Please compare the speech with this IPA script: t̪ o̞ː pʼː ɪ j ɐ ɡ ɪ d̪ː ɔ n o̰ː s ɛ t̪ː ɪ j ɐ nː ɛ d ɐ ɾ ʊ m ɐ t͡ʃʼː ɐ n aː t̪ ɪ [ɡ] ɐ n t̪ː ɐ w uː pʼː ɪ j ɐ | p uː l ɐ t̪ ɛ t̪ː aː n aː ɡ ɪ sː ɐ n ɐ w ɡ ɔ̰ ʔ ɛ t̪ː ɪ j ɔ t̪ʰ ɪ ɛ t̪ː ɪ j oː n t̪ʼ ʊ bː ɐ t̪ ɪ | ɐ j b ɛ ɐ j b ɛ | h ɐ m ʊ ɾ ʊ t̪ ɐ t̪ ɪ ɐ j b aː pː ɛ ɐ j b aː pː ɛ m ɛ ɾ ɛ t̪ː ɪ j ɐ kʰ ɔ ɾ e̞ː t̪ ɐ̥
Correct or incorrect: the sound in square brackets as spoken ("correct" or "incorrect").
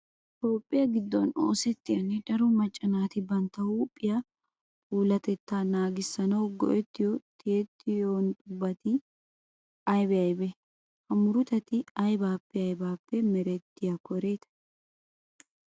incorrect